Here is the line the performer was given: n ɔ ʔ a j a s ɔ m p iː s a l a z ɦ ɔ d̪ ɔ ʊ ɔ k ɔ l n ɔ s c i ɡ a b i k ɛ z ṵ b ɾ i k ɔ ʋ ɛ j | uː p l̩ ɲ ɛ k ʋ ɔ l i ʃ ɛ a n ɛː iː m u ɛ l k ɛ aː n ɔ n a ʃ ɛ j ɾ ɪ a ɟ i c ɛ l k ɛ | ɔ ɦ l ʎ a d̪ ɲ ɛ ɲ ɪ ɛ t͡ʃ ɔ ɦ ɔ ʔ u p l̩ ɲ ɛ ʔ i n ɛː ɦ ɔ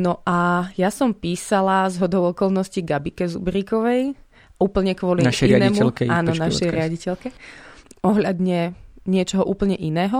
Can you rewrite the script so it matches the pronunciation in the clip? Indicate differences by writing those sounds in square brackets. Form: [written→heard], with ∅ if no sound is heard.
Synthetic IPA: n ɔ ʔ a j a s ɔ m p iː s a l a z ɦ ɔ d̪ ɔ ʊ ɔ k ɔ l n ɔ s c i ɡ a b i k ɛ z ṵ b ɾ i k ɔ ʋ ɛ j | uː p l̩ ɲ ɛ k ʋ ɔ l i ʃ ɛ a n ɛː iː m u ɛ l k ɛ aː n ɔ n a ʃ ɛ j ɾ ɪ a ɟ i c ɛ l k ɛ | ɔ ɦ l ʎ a d̪ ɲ ɛ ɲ ɪ ɛ t͡ʃ ɔ ɦ ɔ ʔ [u→uː] p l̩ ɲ ɛ ʔ i n ɛː ɦ ɔ